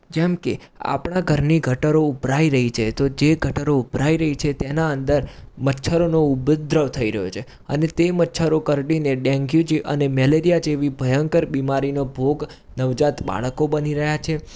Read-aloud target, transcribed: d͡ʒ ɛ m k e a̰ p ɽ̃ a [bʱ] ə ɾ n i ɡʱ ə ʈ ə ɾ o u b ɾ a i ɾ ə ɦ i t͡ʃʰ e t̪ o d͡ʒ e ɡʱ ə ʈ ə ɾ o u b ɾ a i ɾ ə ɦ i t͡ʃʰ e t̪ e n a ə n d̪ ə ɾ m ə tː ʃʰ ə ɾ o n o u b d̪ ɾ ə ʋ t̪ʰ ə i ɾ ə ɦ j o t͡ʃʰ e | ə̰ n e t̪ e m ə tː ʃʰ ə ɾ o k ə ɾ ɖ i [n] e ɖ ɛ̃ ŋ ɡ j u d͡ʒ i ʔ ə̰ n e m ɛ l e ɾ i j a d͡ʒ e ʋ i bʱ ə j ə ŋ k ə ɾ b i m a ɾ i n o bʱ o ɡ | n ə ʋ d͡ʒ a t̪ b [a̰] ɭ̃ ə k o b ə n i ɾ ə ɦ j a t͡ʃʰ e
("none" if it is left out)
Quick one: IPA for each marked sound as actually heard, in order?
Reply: ɡʱ, n, a̰

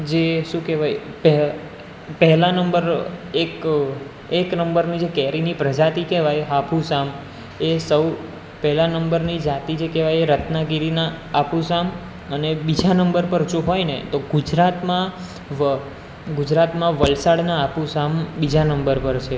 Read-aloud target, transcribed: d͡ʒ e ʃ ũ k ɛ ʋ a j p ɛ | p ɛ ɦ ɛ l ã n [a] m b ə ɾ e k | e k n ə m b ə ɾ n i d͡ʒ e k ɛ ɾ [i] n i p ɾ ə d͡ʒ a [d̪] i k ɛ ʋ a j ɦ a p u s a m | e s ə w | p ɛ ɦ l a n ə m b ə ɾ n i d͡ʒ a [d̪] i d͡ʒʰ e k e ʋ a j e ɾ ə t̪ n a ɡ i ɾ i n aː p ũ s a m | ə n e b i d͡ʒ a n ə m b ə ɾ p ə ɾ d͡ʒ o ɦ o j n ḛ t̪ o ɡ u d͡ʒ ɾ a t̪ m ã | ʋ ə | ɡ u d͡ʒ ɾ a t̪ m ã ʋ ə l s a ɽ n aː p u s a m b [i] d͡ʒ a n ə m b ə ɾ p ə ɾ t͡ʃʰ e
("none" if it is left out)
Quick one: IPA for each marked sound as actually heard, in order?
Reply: ə, i, t̪, t̪, i

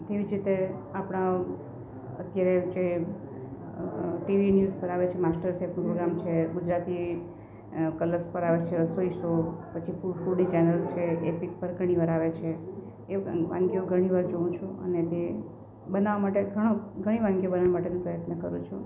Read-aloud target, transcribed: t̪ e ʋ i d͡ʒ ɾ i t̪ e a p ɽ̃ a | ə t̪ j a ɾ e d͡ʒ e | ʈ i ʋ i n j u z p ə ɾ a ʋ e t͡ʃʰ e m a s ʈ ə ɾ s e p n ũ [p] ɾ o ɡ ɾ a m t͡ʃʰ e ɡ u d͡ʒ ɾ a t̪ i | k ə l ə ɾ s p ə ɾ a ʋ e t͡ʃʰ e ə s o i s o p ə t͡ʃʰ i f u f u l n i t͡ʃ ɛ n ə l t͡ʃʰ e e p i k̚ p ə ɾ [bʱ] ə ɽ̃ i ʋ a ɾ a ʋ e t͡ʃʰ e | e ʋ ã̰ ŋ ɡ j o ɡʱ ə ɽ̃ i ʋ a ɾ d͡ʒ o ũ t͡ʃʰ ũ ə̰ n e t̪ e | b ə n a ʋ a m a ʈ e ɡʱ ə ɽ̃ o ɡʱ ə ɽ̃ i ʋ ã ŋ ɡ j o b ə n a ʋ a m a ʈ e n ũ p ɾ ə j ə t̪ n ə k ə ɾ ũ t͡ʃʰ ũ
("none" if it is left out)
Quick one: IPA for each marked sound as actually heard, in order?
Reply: p, ɡʱ

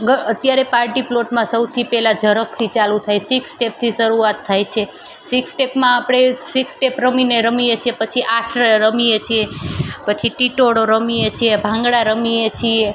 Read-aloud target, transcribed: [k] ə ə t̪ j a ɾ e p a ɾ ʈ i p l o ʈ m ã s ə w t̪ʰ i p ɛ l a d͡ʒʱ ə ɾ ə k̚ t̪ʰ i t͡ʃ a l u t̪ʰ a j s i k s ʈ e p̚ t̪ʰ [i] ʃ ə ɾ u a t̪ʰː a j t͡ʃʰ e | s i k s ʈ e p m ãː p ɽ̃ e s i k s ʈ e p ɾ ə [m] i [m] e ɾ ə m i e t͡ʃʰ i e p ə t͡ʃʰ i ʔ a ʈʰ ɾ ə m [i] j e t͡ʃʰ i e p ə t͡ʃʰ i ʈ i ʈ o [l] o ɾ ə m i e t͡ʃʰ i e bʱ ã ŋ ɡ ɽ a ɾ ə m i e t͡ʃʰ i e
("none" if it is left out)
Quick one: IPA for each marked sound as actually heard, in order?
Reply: ɡ, i, m, n, i, ɽ

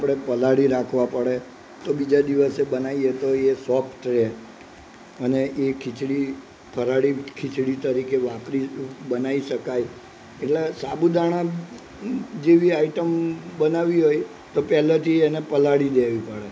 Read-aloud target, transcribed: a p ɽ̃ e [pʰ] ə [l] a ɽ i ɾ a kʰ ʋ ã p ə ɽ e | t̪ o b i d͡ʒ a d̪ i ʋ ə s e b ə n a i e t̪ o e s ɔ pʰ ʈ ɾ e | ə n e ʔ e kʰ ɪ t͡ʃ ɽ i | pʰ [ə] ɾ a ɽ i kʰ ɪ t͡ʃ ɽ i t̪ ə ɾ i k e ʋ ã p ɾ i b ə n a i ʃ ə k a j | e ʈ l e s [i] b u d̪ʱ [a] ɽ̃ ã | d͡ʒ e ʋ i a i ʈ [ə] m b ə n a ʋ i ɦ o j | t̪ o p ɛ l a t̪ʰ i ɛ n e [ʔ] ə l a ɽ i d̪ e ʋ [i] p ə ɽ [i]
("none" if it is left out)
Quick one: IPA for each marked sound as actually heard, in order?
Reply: p, l, ə, a, a, ə, p, i, e

